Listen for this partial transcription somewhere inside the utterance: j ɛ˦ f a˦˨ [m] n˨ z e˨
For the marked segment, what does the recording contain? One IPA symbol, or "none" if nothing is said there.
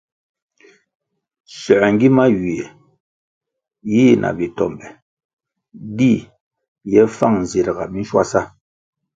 ŋ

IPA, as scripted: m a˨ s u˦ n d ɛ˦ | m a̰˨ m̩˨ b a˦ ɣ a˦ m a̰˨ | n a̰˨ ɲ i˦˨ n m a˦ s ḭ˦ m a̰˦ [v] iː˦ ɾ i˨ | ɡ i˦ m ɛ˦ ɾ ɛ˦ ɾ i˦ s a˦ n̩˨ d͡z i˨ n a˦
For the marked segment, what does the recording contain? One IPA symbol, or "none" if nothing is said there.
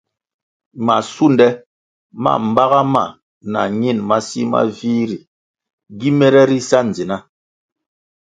v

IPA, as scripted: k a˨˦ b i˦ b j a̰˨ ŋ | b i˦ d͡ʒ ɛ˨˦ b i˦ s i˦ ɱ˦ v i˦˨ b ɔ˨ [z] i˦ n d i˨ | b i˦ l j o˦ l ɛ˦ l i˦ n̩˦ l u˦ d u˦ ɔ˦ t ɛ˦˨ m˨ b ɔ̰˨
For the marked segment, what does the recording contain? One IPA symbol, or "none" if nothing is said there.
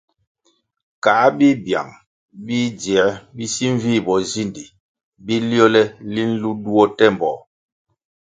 z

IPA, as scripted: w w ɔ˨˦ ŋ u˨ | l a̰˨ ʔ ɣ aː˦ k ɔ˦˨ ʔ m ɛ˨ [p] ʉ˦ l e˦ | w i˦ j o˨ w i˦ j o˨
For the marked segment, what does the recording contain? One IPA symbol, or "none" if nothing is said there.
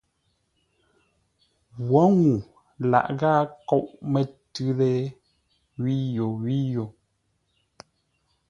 t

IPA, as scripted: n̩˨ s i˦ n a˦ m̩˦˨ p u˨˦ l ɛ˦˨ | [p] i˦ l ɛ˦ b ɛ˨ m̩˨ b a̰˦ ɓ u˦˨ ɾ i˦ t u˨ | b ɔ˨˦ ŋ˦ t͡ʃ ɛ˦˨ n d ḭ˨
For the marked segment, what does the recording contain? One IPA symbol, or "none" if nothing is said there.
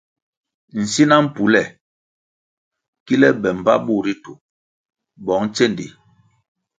k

